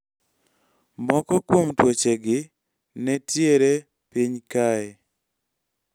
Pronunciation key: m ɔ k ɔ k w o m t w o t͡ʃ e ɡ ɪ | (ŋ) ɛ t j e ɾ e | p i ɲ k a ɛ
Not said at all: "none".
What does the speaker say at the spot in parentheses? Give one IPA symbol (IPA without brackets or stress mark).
n